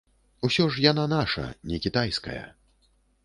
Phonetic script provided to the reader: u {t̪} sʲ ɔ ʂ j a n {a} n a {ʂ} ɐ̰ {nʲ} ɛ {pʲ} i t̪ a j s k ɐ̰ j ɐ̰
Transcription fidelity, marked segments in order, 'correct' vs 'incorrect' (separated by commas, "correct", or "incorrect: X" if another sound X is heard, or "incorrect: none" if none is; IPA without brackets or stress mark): incorrect: none, correct, correct, correct, incorrect: kʲ